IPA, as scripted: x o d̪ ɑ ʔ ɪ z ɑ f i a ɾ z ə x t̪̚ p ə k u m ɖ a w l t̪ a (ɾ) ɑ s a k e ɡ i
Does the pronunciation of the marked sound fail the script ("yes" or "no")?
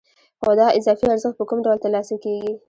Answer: yes